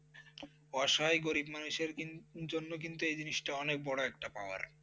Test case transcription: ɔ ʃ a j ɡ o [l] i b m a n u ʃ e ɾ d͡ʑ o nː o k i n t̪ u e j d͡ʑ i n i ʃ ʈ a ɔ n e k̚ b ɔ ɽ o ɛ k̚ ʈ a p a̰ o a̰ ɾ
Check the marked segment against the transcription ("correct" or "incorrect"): incorrect